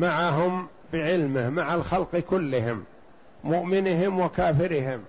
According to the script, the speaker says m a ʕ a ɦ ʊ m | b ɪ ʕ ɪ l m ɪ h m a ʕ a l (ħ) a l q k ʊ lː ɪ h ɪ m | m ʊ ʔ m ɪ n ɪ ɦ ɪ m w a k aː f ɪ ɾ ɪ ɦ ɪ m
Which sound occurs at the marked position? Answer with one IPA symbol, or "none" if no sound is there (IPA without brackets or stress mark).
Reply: x